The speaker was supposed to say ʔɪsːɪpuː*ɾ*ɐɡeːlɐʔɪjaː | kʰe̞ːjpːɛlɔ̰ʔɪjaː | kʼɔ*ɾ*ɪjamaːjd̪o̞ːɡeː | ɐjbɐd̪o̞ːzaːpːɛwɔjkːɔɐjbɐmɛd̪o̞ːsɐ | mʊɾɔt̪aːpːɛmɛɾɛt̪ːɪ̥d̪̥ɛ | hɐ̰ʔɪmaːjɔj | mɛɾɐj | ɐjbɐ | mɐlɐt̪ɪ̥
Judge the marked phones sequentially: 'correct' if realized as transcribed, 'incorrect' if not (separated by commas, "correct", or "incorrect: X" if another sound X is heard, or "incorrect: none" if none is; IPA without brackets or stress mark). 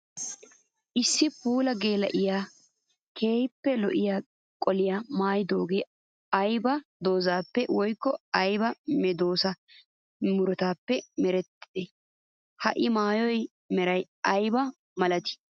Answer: incorrect: l, incorrect: l